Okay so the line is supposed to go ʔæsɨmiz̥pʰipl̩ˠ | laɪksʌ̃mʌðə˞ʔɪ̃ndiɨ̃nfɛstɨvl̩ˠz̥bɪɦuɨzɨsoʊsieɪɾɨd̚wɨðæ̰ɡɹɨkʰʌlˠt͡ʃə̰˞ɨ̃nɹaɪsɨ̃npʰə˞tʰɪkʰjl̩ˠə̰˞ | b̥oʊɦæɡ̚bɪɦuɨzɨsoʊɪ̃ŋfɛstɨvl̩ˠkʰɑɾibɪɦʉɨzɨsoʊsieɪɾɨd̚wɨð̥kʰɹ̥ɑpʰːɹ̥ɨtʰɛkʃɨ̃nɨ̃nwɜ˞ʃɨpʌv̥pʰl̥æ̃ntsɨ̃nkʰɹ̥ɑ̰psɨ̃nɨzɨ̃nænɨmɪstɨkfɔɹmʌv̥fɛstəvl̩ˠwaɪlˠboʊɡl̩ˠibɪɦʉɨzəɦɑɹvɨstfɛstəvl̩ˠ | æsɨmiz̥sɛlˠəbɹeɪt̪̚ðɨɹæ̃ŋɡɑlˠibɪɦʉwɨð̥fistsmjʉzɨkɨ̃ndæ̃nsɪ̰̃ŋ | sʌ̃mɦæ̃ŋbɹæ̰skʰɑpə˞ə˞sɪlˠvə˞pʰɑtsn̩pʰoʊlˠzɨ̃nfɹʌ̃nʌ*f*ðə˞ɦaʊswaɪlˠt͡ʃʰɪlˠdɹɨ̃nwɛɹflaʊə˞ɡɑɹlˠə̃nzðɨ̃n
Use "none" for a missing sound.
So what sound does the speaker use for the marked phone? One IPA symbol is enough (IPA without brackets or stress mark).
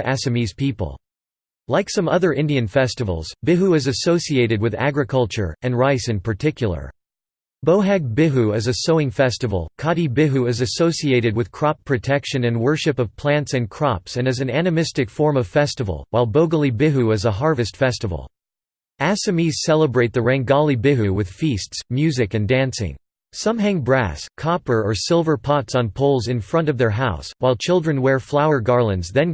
v